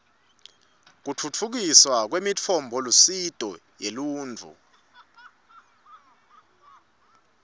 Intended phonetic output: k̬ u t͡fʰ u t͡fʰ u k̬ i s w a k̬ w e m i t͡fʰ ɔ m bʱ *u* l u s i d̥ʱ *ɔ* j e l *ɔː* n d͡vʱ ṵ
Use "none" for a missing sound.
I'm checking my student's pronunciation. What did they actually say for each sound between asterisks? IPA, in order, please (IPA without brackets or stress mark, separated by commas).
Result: ɔ, ɔ, uː